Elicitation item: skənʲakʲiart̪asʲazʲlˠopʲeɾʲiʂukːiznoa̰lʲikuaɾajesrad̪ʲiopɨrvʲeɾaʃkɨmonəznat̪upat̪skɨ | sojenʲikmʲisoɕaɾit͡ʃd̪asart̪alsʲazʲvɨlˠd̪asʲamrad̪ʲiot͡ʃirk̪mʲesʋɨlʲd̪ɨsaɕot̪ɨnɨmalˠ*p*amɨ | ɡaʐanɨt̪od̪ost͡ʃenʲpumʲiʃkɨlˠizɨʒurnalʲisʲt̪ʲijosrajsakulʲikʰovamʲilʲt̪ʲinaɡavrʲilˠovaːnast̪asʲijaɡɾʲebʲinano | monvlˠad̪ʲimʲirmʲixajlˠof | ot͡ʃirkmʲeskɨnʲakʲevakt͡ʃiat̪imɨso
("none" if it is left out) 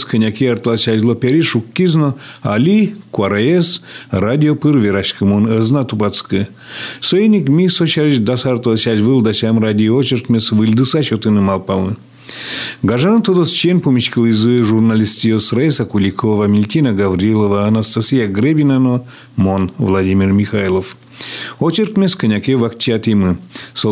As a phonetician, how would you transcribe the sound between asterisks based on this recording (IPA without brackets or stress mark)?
p